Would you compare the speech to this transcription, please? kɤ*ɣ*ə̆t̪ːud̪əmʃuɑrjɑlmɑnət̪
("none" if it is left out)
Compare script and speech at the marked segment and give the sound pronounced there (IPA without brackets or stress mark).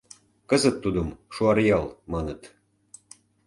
z